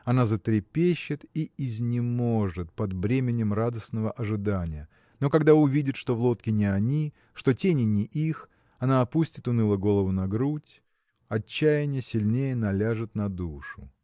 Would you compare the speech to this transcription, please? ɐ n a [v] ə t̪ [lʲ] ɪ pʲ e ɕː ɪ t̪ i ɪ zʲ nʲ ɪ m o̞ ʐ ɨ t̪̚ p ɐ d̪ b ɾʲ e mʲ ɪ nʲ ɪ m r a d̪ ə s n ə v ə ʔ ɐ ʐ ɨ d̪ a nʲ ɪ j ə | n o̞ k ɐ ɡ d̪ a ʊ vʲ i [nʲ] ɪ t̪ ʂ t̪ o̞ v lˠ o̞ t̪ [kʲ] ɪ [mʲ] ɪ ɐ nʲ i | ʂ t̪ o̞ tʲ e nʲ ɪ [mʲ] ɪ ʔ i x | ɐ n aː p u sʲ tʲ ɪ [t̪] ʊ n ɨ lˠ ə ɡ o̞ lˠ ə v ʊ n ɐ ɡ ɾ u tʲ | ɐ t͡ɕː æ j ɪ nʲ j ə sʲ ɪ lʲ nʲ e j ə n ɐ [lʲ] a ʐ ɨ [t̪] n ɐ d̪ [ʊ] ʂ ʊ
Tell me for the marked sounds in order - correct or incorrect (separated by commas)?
incorrect, incorrect, incorrect, correct, incorrect, incorrect, correct, correct, correct, incorrect